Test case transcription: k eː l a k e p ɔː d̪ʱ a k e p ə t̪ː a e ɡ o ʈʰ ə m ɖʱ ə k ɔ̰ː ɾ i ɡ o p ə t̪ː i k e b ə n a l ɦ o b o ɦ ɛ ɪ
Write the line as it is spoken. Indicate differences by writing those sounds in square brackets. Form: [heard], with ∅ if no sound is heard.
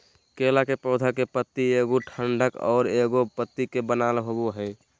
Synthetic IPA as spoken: k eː l a k e p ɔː d̪ʱ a k e p ə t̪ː [i] e ɡ o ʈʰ ə [ɳ] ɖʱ ə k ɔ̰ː ɾ [e] ɡ o p ə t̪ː i k e b ə n a l ɦ o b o ɦ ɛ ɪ